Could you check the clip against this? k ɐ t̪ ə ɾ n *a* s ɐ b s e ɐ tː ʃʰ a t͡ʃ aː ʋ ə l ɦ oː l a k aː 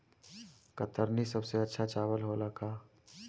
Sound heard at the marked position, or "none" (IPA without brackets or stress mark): i